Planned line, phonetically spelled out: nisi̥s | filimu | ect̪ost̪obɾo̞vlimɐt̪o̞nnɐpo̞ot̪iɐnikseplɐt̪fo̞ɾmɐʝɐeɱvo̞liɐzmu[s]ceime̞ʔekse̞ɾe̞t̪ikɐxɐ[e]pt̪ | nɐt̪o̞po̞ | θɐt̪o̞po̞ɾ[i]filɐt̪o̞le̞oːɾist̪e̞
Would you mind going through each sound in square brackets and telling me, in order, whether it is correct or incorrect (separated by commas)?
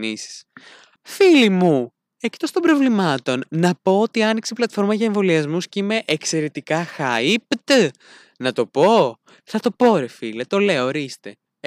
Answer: correct, incorrect, incorrect